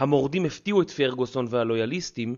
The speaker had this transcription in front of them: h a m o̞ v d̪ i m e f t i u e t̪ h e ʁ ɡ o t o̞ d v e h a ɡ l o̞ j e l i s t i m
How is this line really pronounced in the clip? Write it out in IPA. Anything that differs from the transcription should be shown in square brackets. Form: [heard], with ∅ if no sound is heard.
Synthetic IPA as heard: h a m o̞ [ʁ] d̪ i m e f t i u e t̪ [f] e ʁ ɡ o [s] o̞ [n] v e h a [∅] l o̞ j [a] l i s t i m